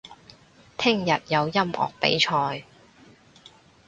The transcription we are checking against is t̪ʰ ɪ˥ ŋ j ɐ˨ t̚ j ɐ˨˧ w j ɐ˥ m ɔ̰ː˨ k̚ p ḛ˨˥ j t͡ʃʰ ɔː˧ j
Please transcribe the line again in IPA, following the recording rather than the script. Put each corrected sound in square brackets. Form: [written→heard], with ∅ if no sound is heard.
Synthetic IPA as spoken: t̪ʰ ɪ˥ ŋ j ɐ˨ t̚ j ɐ˨˧ w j ɐ˥ m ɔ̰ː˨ k̚ p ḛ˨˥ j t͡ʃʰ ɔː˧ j